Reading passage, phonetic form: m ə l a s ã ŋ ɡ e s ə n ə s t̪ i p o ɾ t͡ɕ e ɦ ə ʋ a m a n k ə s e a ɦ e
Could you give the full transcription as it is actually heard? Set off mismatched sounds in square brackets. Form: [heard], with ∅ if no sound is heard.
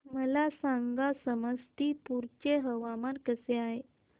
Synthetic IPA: m ə l a s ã ŋ ɡ [a] s ə [m] ə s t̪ i p [u] ɾ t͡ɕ e ɦ ə ʋ a m a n k ə s e a ɦ e